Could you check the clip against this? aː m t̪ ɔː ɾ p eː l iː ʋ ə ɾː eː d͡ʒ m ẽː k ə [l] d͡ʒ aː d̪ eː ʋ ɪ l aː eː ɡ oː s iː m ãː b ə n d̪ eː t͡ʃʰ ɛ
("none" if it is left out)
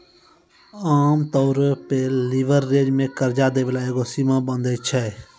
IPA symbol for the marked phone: ɾ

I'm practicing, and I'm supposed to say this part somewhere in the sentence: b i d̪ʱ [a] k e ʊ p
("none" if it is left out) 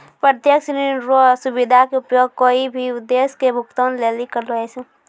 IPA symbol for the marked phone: a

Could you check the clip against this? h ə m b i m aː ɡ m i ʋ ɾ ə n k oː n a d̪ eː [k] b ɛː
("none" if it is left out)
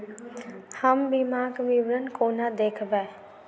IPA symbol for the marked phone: kʰ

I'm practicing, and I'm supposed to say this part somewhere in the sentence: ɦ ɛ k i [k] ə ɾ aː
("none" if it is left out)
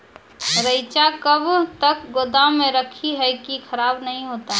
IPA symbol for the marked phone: kʰ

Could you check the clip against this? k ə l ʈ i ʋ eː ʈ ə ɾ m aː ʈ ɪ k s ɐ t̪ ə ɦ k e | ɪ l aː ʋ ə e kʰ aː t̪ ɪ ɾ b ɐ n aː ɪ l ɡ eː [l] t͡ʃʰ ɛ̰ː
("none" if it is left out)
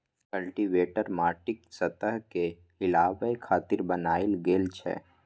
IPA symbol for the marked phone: l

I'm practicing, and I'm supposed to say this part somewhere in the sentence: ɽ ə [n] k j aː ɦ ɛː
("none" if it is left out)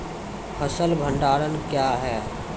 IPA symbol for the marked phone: n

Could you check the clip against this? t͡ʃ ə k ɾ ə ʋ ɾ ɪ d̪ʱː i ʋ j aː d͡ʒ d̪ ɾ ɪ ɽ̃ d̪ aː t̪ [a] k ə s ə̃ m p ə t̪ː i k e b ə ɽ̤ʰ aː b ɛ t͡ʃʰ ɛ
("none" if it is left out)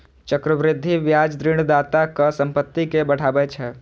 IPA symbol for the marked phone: a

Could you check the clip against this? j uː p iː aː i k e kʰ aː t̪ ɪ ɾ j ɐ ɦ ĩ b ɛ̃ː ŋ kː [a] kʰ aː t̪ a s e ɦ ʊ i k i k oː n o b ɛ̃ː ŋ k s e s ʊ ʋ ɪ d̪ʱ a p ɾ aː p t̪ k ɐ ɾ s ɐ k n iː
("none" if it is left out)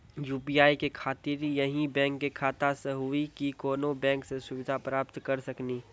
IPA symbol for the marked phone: e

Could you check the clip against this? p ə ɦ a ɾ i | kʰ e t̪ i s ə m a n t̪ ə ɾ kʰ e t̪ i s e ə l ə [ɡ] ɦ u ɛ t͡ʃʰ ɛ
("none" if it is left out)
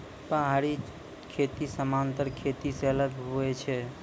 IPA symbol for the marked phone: ɡ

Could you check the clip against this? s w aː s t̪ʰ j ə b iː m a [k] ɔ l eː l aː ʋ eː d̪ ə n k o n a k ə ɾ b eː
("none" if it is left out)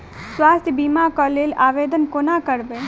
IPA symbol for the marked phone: k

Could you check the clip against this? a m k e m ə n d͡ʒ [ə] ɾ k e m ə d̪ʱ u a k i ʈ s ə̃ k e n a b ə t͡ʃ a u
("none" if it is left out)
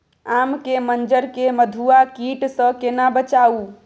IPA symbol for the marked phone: ə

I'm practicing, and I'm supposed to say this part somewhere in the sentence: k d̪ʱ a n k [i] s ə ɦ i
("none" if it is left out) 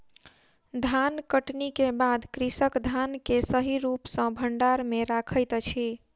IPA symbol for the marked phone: e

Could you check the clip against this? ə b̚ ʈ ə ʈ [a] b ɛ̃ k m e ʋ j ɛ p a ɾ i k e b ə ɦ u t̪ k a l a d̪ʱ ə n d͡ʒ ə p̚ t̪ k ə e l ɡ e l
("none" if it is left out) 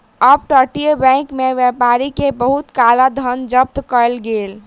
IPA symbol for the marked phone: i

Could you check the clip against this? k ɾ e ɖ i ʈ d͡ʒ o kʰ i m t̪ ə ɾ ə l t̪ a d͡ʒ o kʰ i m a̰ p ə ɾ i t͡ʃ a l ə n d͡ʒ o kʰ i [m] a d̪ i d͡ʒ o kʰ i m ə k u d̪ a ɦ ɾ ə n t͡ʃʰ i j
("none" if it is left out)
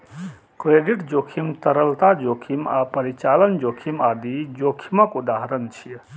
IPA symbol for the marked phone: m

